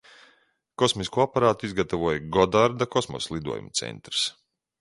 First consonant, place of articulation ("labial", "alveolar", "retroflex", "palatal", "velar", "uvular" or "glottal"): velar